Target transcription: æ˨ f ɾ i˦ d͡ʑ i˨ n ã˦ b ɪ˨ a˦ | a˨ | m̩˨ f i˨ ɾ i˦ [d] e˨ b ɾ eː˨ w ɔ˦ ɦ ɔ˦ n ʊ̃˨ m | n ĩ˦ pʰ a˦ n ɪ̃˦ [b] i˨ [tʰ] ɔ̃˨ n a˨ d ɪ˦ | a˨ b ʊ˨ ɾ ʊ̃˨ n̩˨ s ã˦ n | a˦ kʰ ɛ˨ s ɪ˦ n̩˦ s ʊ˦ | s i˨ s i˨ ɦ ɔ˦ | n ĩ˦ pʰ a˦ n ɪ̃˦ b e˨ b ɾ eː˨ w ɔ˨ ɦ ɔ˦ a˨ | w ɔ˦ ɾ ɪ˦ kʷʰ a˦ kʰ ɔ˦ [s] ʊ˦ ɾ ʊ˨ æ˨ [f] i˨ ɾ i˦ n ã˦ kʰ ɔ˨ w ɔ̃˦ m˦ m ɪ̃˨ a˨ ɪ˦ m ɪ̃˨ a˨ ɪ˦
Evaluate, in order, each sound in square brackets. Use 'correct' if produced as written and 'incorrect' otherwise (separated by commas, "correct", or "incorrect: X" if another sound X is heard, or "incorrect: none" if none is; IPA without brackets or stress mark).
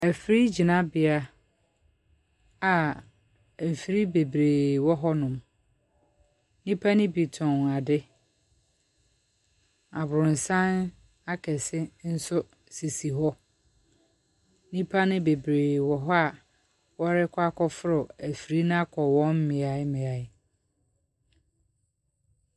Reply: incorrect: b, correct, correct, incorrect: f, correct